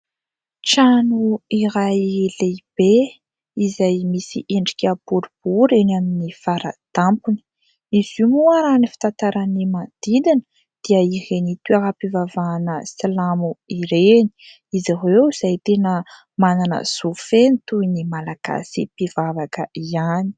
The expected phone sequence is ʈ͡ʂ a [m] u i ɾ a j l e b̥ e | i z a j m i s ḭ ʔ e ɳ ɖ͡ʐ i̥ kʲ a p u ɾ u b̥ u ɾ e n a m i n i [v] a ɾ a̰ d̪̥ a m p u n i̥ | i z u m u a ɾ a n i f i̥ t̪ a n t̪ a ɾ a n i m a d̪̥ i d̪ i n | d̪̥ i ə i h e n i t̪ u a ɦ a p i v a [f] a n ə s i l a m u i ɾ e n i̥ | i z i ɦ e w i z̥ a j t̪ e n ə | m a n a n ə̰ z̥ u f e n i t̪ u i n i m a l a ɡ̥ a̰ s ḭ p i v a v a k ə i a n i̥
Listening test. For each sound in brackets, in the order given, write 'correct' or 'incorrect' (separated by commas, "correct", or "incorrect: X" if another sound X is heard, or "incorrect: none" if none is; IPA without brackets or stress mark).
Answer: incorrect: n, incorrect: f, incorrect: v